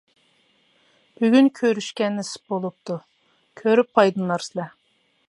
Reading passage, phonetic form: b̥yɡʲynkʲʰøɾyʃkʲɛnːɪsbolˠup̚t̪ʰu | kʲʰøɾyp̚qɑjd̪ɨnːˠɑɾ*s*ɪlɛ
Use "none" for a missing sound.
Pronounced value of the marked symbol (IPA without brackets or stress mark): s